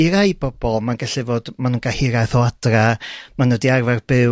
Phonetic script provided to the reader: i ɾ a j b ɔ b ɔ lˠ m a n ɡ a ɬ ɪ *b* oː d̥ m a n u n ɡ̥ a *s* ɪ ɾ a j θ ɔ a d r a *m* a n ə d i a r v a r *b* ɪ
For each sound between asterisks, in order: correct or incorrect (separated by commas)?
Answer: incorrect, incorrect, correct, correct